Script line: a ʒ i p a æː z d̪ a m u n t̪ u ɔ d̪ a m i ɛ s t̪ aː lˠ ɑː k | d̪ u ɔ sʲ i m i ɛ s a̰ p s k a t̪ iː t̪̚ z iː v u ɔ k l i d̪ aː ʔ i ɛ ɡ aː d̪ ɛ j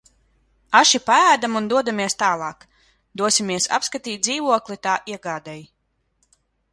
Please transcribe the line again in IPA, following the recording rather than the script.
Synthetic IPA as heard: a ʃ i p a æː d̪ a m u n d̪ u ɔ d̪ a m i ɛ s t̪ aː lˠ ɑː k | d̪ u ɔ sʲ i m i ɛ s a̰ p s k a t̪ iː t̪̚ z iː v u ɔ k l i t̪ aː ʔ i ɛ ɡ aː d̪ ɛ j